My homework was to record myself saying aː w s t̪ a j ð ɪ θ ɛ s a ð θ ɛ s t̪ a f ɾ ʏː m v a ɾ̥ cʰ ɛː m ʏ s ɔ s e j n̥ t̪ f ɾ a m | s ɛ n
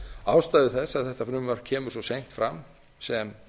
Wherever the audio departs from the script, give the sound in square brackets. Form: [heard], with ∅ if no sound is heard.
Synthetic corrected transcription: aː w s t̪ a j ð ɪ θ ɛ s a ð θ ɛ [h] t̪ a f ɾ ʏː m v a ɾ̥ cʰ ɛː m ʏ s ɔ s e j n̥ t̪ f ɾ a m | s ɛ [m]